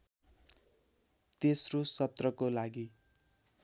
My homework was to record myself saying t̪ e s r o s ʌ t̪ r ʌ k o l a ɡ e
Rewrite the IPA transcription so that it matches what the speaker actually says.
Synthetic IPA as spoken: t̪ e s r o s ʌ t̪ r ʌ k o l a ɡ i